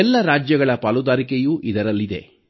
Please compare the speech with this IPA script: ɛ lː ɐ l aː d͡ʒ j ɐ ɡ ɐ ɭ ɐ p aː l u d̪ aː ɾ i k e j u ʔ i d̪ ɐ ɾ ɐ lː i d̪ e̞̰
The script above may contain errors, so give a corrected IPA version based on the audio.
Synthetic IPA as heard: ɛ lː ɐ ɾ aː d͡ʒ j ɐ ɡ ɐ ɭ ɐ p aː l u d̪ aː ɾ i k e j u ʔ i d̪ ɐ ɾ ɐ lː i d̪ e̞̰